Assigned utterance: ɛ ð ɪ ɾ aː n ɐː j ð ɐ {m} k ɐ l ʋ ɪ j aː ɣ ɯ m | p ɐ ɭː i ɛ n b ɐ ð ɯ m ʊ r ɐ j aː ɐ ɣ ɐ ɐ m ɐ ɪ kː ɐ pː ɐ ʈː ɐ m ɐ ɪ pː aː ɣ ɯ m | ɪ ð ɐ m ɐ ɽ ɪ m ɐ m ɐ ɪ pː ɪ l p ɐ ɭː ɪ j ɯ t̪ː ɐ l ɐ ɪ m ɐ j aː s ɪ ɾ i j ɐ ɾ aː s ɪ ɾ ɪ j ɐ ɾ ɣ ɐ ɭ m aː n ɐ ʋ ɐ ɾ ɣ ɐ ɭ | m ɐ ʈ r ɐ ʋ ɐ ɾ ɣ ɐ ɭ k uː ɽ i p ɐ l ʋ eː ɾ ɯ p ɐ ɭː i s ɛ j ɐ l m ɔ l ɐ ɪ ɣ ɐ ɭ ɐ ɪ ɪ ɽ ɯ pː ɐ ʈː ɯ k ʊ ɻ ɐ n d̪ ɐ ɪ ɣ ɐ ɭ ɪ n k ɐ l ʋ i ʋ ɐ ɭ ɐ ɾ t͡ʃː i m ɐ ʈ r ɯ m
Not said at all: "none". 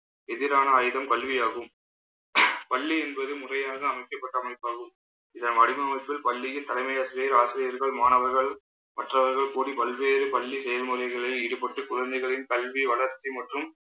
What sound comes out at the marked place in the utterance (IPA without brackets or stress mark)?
m